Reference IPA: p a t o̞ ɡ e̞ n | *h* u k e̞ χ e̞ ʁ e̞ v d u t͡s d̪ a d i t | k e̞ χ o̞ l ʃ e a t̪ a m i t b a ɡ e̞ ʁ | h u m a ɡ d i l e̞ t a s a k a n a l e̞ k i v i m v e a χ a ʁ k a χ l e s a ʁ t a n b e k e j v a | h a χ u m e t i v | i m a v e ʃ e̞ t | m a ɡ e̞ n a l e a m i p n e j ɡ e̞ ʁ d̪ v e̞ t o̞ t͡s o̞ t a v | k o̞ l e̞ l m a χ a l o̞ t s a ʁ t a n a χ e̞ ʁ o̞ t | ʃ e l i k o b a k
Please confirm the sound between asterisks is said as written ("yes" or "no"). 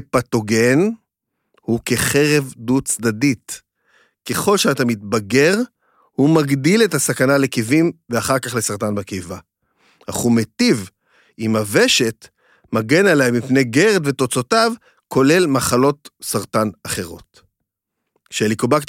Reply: yes